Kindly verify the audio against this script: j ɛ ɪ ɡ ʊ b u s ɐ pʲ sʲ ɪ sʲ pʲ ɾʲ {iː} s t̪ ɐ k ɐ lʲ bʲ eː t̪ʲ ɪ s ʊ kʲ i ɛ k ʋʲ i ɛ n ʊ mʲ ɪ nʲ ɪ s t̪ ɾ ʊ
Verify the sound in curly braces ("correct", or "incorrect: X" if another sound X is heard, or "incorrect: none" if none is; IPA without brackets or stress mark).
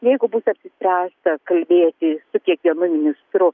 incorrect: æː